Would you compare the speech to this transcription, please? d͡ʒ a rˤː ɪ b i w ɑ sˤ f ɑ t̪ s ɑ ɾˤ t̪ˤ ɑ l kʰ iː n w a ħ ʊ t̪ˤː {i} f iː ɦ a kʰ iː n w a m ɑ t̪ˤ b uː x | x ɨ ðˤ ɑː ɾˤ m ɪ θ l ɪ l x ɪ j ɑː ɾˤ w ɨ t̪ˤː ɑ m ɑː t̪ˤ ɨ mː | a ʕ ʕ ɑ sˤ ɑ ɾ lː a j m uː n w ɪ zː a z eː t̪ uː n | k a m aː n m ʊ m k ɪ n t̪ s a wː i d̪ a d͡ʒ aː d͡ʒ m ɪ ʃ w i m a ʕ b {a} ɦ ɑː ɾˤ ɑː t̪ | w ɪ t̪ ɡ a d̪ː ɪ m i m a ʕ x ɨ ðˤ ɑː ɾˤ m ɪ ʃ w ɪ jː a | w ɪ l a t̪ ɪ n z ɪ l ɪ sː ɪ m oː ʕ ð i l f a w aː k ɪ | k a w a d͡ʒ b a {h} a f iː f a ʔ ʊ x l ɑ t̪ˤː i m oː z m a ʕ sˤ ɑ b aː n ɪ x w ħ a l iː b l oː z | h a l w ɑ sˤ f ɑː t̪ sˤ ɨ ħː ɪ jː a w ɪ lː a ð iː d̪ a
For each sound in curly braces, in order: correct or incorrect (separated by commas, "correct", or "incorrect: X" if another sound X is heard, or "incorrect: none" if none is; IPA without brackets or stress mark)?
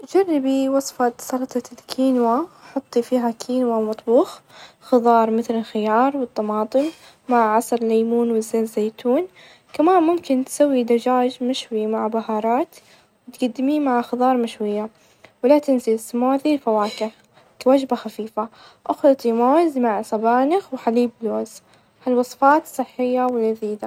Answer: correct, correct, incorrect: x